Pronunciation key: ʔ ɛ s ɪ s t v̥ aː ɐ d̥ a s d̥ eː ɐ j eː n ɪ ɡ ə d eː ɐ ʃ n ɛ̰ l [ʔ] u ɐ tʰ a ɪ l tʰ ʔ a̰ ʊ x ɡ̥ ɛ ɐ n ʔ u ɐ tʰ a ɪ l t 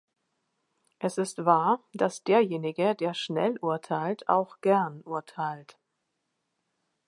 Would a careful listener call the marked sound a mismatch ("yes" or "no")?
no